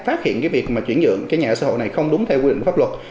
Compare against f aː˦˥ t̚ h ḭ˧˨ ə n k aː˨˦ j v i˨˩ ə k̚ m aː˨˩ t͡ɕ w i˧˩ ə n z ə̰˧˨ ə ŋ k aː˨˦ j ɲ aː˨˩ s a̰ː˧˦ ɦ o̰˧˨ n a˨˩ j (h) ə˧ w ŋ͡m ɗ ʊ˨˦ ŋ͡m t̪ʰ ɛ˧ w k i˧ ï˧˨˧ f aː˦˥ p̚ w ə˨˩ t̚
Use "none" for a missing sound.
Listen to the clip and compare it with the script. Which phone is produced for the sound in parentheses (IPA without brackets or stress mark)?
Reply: x